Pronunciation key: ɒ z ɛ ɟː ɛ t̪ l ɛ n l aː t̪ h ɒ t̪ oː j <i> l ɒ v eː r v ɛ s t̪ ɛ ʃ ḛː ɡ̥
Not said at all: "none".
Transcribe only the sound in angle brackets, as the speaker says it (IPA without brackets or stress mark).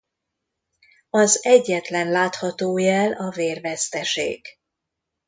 ɛ